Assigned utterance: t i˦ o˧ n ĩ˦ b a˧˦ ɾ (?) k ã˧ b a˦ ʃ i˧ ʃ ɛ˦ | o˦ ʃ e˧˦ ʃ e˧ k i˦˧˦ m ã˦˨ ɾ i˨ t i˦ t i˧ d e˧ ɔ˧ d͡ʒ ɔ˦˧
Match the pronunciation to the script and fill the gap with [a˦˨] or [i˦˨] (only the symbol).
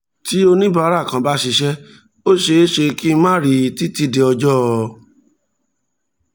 a˦˨